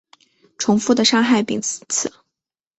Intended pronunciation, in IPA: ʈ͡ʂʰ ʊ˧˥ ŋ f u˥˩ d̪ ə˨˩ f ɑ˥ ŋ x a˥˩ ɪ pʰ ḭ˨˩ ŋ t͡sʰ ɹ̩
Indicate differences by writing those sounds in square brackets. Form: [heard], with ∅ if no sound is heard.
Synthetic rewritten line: ʈ͡ʂʰ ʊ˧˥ ŋ f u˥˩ d̪ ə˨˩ [ʂ] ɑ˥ ŋ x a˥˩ ɪ [p] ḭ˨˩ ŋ t͡sʰ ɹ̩